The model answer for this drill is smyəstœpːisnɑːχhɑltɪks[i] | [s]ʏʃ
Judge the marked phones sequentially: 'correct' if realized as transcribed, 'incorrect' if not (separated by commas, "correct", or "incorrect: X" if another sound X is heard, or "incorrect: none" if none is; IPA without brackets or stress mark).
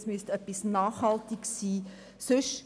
incorrect: iː, correct